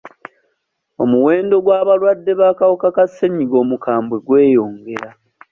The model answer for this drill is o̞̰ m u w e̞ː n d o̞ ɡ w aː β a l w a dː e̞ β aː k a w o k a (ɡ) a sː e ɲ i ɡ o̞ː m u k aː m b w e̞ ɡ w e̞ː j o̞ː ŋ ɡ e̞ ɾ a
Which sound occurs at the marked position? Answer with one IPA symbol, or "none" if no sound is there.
k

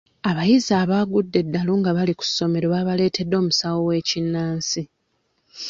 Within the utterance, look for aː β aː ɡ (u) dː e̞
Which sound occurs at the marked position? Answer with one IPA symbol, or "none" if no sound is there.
u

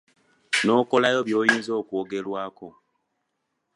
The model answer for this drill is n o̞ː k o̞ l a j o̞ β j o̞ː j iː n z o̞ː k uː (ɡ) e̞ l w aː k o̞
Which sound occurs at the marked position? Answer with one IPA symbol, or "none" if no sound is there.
ɡ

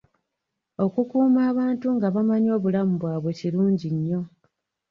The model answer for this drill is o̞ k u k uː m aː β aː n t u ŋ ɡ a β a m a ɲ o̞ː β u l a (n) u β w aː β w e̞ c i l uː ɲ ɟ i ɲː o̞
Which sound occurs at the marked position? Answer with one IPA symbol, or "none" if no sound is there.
m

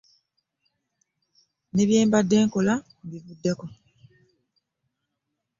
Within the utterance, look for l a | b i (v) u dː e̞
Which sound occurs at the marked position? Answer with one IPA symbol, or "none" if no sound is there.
v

